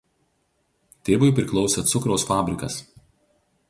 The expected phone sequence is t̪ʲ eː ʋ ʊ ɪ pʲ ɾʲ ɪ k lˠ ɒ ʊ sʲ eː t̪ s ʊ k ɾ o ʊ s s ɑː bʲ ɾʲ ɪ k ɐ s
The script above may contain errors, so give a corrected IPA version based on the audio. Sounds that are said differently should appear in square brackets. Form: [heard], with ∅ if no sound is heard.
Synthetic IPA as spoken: t̪ʲ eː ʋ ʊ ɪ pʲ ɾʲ ɪ k lˠ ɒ ʊ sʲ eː t̪ s ʊ k ɾ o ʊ s [f] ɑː bʲ ɾʲ ɪ k ɐ s